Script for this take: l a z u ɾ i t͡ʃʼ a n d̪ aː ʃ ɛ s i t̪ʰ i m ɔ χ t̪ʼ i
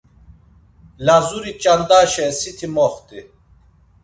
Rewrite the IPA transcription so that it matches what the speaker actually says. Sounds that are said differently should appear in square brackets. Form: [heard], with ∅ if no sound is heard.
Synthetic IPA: l a z u ɾ i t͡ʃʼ a n d̪ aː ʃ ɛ s i t̪ʰ i m ɔ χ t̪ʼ i